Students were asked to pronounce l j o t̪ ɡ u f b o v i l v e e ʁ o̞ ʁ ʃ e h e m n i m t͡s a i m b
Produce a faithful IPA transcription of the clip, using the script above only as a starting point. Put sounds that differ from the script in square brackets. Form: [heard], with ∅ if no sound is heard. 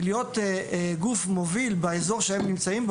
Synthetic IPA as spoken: l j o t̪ ɡ u f [m] o v i l [b] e e [z] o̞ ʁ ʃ e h e m n i m t͡s a i m b